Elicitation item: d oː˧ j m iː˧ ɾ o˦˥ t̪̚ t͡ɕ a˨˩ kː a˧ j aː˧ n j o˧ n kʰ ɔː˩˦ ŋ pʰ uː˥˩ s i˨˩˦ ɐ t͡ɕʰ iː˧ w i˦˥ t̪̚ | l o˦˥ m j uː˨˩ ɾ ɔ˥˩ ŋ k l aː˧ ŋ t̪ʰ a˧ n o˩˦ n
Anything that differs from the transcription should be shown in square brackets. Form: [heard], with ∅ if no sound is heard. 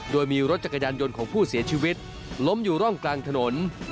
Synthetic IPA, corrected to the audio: d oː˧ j m iː˧ ɾ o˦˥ t̪̚ t͡ɕ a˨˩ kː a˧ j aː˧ n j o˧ n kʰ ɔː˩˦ ŋ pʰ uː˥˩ s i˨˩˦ ɐ t͡ɕʰ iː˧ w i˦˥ t̪̚ | l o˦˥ m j uː˨˩ ɾ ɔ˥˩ ŋ k l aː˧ ŋ t̪ʰ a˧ n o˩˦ n